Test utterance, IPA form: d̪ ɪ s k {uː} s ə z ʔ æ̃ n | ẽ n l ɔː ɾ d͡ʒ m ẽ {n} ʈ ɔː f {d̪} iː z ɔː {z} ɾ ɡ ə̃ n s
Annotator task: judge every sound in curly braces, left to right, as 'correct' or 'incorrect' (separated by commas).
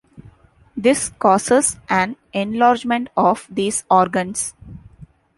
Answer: incorrect, incorrect, correct, incorrect